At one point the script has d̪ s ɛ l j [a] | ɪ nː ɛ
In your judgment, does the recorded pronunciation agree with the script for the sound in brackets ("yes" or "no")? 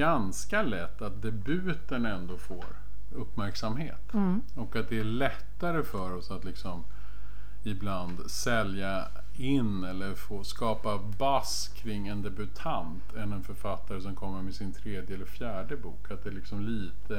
yes